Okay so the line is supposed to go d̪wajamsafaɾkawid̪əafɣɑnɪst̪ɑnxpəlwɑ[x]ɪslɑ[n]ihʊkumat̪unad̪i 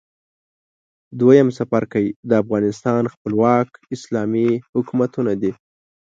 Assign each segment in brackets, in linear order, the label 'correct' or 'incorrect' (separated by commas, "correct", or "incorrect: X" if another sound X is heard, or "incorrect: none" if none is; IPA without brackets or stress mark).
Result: incorrect: k, incorrect: m